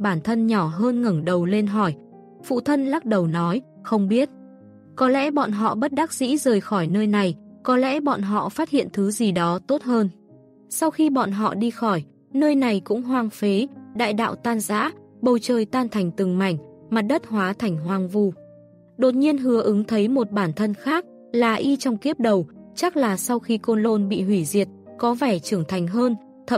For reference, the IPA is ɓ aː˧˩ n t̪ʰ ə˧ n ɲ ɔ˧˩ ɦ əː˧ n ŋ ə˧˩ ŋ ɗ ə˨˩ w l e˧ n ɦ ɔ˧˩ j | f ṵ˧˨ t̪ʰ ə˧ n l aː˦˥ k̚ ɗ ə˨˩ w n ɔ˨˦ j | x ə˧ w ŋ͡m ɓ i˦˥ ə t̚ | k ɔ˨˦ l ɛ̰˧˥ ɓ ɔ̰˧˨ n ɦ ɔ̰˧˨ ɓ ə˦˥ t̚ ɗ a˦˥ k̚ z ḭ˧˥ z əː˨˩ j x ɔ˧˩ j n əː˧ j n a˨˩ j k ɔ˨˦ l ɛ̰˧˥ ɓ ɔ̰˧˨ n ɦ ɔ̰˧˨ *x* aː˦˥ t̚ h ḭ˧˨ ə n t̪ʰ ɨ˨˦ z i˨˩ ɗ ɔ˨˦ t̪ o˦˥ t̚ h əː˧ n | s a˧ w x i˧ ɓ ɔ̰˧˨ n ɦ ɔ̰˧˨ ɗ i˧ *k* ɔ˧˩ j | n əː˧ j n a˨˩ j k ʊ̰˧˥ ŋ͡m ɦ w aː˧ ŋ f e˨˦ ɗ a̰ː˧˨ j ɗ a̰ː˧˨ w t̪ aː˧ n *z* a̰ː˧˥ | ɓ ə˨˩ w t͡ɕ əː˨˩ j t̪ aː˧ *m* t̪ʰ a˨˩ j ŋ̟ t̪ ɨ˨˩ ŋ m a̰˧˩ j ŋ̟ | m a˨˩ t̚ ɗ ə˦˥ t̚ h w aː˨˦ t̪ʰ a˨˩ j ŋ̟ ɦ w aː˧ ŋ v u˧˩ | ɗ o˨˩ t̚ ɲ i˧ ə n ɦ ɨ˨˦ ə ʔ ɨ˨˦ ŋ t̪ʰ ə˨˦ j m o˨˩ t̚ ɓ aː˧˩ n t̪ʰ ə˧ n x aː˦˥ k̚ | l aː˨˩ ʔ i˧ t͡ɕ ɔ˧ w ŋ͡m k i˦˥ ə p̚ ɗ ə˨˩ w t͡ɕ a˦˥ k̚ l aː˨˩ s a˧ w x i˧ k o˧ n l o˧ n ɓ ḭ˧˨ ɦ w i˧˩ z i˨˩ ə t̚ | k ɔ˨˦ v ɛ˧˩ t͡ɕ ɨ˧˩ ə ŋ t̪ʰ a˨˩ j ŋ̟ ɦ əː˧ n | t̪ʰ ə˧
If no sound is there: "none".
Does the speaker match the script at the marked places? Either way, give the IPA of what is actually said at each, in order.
f, x, z, n

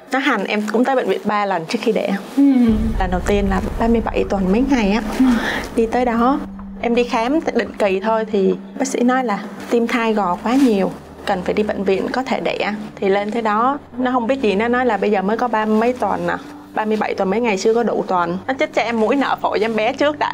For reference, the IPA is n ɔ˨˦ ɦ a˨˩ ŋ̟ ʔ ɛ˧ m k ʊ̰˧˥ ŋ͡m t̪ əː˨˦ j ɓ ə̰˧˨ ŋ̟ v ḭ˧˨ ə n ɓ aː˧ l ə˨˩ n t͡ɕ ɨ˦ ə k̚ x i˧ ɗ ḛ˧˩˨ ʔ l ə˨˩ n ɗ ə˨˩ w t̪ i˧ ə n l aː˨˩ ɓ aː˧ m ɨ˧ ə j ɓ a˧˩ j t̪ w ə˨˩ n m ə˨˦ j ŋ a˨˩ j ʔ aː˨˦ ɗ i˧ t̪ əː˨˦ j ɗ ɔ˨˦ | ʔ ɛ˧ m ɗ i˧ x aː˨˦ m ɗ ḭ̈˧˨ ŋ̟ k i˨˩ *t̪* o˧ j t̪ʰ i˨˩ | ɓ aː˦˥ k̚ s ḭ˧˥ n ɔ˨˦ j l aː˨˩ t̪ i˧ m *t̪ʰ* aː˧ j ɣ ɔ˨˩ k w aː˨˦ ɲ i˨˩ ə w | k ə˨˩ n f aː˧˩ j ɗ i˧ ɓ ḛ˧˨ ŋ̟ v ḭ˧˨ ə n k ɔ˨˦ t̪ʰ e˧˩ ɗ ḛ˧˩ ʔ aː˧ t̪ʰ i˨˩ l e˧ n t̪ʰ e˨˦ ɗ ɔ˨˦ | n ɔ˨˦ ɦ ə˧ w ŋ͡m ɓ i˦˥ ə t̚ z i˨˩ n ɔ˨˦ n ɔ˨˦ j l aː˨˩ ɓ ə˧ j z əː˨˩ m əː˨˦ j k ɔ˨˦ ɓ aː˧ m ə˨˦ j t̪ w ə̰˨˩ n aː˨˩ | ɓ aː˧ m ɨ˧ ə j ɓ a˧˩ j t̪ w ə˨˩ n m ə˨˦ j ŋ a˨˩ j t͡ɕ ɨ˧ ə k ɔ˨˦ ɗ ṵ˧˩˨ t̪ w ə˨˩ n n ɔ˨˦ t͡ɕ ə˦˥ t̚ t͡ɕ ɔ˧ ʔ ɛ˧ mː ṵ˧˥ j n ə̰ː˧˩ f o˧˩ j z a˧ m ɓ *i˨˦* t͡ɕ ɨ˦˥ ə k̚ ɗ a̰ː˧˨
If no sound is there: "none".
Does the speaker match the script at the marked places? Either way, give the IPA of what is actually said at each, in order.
t̪ʰ, t̪ʰ, ɛ˨˦

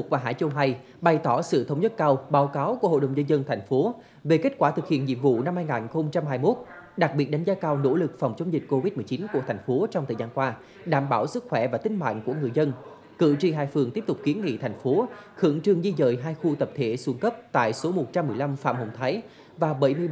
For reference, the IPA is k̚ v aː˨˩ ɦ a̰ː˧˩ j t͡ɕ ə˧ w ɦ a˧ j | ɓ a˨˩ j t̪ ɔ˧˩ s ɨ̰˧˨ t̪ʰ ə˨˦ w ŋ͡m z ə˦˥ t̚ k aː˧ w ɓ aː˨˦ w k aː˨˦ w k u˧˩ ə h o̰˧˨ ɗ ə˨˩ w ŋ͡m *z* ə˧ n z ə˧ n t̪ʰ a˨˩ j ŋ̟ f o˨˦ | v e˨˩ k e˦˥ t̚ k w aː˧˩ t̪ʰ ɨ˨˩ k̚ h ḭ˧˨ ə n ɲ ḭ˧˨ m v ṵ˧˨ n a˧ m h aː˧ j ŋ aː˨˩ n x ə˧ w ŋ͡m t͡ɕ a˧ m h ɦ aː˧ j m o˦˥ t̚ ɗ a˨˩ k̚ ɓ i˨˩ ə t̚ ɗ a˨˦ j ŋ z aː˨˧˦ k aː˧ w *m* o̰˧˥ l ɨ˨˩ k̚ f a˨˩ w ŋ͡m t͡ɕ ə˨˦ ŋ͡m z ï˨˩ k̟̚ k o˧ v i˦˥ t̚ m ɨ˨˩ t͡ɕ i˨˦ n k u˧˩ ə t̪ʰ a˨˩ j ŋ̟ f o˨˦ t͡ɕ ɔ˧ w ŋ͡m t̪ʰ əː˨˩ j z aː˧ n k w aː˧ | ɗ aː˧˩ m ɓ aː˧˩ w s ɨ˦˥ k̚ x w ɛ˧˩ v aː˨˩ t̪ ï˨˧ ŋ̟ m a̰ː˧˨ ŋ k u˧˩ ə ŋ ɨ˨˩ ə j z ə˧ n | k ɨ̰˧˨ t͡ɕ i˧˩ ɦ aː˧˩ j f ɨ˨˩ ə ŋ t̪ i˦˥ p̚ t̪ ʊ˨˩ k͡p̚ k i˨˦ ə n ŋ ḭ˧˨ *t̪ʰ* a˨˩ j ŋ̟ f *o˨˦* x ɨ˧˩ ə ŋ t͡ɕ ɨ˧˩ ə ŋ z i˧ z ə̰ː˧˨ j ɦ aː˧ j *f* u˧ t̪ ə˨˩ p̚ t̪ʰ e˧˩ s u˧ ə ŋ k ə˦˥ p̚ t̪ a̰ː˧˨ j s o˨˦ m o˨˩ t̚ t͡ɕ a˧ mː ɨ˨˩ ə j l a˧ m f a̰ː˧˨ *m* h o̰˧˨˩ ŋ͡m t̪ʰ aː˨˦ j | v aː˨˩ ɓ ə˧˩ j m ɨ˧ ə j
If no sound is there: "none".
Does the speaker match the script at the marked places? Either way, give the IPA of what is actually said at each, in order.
z, n, t̪ʰ, o˨˦, x, m

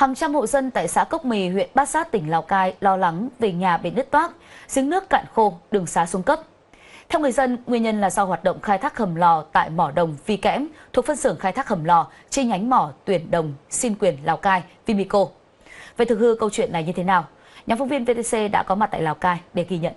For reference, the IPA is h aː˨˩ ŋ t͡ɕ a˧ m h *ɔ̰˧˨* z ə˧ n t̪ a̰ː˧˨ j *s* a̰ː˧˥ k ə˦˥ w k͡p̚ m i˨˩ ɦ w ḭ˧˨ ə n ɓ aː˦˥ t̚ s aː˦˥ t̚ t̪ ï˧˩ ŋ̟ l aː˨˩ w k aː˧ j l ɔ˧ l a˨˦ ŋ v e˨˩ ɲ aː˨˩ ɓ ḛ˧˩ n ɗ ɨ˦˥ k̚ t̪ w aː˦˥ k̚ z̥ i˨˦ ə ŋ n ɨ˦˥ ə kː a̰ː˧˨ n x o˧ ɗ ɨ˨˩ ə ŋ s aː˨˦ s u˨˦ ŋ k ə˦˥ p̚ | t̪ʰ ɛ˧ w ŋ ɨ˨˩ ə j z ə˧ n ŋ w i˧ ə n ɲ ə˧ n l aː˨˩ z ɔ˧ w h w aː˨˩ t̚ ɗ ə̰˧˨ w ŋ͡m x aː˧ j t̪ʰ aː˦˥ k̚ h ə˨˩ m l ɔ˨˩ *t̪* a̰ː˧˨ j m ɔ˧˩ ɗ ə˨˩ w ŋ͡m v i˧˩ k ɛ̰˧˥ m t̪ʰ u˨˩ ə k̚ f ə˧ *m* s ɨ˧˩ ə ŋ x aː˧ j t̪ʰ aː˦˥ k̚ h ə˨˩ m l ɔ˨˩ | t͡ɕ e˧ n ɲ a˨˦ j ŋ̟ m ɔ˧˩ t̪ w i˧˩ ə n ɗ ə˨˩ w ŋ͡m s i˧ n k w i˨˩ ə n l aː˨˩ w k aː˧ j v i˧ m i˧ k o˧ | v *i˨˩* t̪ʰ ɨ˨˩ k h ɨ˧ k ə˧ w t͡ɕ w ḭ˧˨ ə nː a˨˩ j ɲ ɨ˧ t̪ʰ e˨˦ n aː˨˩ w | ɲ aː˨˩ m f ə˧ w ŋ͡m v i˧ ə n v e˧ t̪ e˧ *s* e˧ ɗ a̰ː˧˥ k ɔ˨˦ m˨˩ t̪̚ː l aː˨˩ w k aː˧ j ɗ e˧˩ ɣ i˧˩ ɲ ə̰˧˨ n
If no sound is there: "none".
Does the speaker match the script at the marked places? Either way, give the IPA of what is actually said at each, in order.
o̰˧˨, s, t̪, n, e˨˩, s

